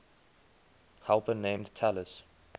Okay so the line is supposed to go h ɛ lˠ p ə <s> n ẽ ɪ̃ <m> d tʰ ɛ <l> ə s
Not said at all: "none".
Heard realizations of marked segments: none, m, l

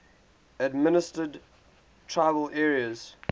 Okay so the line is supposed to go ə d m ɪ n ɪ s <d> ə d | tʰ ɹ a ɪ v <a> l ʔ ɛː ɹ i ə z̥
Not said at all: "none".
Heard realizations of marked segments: t, ə

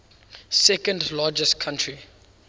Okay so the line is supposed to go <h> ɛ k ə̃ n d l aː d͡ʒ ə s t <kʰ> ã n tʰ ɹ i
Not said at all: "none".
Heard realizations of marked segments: s, kʰ

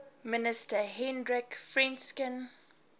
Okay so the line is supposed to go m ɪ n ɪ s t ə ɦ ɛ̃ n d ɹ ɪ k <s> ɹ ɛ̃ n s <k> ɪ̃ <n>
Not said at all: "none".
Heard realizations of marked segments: f, k, n

